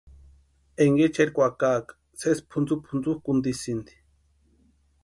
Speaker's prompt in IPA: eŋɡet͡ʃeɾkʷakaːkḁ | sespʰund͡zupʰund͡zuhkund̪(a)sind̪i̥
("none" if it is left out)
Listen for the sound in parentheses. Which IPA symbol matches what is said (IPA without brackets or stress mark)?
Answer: i